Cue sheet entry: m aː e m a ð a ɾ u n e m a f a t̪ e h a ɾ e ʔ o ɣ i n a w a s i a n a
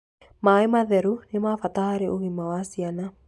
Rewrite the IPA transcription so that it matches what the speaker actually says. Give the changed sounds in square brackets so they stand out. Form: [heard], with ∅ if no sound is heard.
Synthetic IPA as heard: m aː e m a ð [ɛ] ɾ u n e m a f a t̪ [a] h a ɾ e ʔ o ɣ i [m] a w a s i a n a